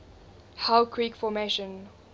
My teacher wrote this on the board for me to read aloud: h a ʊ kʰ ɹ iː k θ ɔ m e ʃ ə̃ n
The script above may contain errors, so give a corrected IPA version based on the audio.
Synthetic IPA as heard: h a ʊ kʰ ɹ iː k f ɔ m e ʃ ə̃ n